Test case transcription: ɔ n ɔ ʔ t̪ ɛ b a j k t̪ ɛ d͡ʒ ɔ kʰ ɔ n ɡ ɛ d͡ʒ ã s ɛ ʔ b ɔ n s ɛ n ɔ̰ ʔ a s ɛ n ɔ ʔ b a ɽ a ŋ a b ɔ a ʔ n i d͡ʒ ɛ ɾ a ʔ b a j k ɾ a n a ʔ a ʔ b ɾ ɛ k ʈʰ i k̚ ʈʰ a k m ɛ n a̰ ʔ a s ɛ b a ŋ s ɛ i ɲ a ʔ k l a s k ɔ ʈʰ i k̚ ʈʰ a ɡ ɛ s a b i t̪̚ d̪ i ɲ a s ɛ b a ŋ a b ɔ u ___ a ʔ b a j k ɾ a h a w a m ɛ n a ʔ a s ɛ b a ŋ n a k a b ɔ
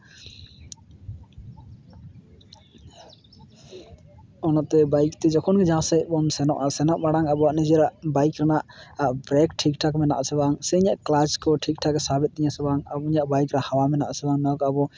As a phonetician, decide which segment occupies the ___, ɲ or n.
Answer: ɲ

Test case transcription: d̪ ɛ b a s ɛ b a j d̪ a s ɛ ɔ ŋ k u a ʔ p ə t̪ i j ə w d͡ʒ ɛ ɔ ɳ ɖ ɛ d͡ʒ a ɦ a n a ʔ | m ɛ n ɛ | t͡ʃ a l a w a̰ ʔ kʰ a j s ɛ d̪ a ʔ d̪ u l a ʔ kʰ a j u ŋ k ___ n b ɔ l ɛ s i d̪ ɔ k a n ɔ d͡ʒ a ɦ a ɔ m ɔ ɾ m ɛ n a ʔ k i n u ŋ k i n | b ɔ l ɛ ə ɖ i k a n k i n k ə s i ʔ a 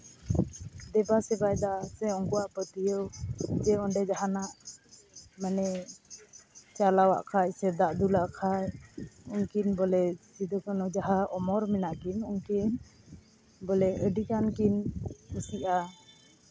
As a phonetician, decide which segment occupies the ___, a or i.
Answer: i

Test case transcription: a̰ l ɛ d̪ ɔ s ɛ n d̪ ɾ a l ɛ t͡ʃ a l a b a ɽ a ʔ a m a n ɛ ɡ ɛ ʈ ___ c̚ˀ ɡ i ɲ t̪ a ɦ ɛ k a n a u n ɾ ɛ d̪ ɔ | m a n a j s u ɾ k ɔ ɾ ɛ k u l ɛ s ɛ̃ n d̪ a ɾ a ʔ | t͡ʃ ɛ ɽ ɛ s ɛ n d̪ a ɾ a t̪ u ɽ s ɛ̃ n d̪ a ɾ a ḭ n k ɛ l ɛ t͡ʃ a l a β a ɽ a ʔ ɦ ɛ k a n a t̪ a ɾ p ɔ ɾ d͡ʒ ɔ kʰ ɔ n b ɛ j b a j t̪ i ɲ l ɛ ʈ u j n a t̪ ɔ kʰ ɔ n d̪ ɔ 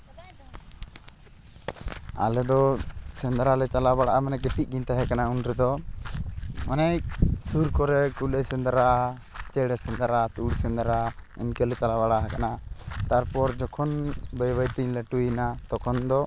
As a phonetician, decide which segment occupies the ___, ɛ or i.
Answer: i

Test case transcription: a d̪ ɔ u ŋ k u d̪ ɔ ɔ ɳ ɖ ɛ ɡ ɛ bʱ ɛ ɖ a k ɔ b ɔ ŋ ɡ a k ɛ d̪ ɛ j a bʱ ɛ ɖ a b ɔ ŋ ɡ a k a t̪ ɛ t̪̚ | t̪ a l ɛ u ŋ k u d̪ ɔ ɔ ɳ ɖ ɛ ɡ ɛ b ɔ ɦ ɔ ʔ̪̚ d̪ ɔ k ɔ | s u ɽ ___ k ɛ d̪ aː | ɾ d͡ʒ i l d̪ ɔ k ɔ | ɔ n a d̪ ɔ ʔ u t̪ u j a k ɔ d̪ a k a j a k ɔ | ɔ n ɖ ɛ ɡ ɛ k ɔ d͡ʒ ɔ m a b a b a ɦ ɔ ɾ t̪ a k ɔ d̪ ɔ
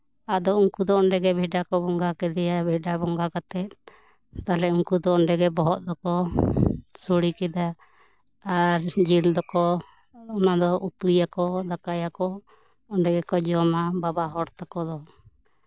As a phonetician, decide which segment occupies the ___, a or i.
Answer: i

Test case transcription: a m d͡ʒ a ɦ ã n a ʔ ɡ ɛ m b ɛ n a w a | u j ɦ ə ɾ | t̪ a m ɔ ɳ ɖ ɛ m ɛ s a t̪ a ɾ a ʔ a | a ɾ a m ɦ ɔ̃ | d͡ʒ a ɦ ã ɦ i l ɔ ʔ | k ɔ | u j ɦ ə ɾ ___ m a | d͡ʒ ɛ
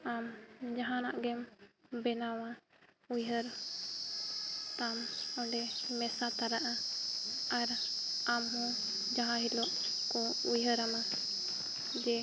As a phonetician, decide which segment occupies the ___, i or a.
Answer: a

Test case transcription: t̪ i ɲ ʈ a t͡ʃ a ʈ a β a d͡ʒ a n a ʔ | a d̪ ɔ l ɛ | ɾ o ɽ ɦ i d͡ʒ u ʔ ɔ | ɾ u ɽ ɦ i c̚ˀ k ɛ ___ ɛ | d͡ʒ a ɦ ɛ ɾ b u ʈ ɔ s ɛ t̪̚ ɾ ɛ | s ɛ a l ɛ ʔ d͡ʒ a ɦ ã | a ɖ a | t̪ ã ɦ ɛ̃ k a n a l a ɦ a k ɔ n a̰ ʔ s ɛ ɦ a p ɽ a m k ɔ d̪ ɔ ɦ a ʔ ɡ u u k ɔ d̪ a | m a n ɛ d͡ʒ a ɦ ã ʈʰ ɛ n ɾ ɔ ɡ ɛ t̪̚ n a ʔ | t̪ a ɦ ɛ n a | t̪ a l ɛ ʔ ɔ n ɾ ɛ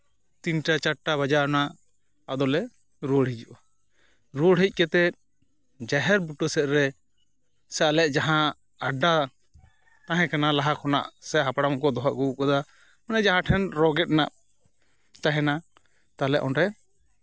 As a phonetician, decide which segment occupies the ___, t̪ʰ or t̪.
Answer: t̪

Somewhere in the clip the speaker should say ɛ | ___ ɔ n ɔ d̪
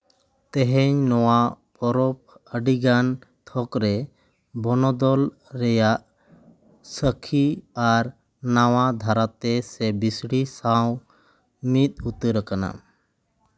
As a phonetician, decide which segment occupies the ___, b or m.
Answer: b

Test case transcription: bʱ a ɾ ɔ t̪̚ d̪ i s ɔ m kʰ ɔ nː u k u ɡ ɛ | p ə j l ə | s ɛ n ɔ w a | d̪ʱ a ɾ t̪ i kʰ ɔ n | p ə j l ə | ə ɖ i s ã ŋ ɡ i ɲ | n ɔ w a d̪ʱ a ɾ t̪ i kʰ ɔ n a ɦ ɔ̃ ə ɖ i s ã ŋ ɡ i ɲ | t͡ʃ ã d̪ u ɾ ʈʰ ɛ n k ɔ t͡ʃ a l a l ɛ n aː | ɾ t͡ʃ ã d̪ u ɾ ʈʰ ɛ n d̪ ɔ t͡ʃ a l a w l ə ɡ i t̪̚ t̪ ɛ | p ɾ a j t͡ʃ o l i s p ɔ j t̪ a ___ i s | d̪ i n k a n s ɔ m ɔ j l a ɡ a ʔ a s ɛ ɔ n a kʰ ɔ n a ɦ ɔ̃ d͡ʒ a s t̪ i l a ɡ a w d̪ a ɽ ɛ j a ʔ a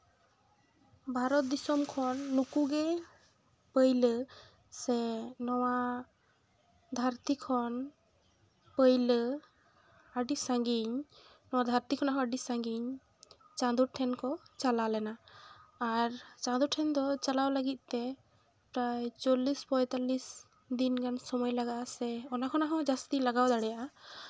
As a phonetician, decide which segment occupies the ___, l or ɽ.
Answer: l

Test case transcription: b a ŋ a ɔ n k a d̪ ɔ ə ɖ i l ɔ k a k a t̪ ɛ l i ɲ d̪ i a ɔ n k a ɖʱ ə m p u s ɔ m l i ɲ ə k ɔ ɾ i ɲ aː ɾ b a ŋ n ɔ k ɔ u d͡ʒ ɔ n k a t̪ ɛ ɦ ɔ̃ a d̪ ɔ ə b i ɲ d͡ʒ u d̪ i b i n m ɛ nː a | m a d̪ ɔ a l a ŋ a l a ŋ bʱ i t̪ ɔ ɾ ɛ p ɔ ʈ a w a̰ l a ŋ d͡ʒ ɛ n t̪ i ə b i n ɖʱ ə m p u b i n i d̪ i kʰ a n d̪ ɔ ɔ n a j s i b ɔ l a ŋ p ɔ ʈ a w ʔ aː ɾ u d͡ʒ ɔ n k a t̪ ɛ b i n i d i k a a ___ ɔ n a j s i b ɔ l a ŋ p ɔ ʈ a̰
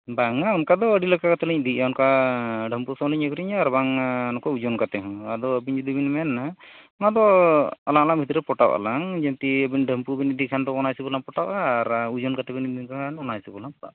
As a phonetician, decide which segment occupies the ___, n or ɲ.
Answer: n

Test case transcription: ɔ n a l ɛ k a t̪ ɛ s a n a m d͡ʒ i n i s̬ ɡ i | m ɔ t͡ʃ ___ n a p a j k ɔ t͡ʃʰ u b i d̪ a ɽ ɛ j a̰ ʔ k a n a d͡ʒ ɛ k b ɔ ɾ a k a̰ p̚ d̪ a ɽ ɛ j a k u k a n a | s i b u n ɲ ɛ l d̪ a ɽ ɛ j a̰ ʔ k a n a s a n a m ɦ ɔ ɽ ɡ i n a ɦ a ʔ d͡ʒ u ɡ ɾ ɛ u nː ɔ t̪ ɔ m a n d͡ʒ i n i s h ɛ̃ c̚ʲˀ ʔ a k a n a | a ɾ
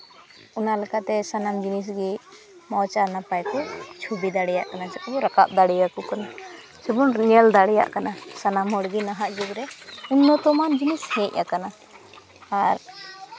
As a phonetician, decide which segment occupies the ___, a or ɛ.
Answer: a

